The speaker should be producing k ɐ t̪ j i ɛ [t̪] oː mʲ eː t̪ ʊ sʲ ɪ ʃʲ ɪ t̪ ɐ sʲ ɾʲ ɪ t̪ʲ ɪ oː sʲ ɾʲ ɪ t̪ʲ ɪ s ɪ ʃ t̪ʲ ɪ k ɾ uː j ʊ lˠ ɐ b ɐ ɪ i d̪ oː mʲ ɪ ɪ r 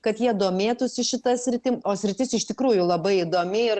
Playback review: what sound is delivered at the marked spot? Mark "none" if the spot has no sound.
d̪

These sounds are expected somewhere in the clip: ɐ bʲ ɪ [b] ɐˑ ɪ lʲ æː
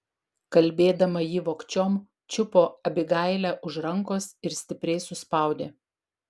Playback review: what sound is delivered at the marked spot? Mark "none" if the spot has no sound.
ɡ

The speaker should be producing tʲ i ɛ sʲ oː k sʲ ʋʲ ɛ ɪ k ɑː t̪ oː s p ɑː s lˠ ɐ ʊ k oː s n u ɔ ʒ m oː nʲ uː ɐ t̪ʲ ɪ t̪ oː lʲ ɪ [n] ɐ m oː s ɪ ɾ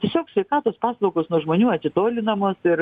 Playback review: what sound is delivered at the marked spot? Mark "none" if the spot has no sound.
n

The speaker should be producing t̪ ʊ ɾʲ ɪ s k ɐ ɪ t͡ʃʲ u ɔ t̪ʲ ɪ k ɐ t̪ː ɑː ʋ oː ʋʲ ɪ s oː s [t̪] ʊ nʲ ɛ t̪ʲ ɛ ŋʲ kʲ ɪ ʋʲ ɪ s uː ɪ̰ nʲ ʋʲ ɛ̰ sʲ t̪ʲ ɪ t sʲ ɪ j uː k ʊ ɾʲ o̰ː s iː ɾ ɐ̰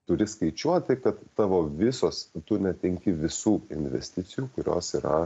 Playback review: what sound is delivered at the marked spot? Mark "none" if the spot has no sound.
t̪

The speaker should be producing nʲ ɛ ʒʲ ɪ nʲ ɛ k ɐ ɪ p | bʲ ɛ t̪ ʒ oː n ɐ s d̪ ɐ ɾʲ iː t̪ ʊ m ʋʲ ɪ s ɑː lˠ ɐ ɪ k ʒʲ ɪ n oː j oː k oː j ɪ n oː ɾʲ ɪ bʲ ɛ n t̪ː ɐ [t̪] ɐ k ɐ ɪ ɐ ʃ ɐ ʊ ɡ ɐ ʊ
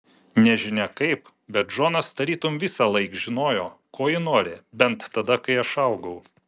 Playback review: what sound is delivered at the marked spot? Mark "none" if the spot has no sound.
d̪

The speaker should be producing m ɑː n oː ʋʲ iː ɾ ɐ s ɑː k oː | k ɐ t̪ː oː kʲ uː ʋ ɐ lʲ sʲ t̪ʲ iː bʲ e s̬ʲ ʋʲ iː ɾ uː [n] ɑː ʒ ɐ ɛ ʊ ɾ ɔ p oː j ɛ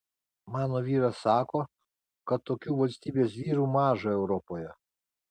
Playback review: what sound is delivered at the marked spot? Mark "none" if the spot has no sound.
m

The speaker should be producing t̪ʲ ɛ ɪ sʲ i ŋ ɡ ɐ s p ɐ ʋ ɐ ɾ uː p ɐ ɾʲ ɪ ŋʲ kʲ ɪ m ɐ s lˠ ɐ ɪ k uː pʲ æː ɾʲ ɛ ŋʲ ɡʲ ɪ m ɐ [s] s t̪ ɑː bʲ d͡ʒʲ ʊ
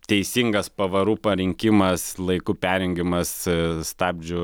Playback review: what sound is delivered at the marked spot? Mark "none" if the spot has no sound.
s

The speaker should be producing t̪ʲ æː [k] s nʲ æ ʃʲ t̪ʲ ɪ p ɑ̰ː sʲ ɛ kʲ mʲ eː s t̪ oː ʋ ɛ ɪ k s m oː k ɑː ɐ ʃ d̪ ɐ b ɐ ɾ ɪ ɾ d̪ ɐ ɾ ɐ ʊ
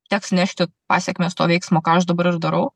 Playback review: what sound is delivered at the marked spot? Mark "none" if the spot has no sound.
k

